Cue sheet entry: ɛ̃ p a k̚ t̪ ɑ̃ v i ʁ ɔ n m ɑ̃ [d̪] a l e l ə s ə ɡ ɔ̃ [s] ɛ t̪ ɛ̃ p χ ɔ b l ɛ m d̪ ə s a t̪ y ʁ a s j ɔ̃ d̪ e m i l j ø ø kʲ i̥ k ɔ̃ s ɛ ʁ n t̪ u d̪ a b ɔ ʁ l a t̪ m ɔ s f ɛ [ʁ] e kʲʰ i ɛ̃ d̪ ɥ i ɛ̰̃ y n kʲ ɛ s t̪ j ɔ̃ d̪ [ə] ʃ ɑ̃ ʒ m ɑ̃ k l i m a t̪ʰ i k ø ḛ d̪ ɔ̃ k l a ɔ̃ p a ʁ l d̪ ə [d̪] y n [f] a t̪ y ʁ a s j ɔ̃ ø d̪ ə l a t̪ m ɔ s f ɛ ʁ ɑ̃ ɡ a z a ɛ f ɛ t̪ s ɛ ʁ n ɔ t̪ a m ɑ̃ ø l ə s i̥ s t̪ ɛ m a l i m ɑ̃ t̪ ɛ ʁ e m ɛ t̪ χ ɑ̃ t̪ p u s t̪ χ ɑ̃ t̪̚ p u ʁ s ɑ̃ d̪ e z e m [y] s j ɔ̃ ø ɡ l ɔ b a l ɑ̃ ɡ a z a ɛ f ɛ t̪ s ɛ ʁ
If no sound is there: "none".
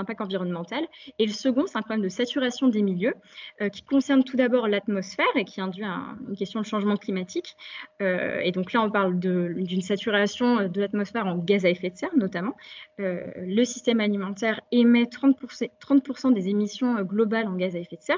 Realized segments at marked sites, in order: t̪, s, ʁ, ə, d̪, s, i

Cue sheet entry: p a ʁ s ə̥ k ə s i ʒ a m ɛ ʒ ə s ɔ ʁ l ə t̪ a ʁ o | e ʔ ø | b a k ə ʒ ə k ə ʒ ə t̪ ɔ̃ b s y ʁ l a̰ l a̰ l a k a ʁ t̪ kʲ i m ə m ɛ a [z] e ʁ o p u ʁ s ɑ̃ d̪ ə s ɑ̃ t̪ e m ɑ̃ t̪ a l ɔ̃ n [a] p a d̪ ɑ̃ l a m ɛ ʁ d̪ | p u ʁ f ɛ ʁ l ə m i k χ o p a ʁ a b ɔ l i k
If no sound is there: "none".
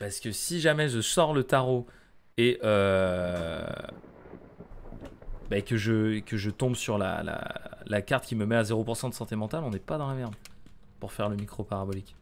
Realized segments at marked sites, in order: z, ɛ

